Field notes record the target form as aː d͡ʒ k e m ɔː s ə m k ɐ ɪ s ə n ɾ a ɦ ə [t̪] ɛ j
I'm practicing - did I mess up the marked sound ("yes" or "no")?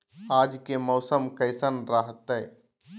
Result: no